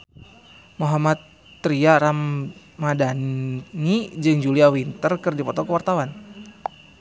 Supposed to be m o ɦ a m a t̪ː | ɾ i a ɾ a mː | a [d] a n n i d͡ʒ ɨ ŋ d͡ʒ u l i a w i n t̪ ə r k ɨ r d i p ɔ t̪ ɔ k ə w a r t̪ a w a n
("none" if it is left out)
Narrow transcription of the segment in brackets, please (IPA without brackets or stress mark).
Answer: d